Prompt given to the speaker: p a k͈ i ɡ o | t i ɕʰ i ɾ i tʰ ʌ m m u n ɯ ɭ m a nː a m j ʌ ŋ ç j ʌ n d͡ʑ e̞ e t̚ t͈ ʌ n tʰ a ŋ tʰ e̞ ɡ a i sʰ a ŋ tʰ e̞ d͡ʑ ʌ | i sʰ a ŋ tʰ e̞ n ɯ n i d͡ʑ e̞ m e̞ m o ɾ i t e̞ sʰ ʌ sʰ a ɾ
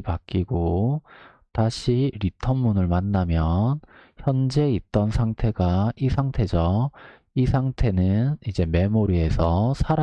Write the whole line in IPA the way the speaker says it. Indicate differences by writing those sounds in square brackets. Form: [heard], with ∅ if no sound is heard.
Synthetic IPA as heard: p a k͈ i ɡ o | t [a] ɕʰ i ɾ i tʰ ʌ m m u n ɯ ɭ m a nː a m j ʌ [n] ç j ʌ n d͡ʑ e̞ [i] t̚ t͈ ʌ n [sʰ] a ŋ tʰ e̞ ɡ a i sʰ a ŋ tʰ e̞ d͡ʑ ʌ | i sʰ a ŋ tʰ e̞ n ɯ n i d͡ʑ e̞ m e̞ m o ɾ i [∅] e̞ sʰ ʌ sʰ a ɾ